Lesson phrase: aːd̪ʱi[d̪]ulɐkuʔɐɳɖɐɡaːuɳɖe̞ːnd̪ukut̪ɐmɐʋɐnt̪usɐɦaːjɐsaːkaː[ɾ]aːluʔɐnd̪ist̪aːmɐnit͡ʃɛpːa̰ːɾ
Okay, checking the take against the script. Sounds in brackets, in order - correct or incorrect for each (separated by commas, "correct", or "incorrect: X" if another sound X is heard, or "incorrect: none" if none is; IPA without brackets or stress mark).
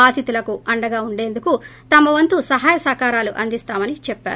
incorrect: t̪, correct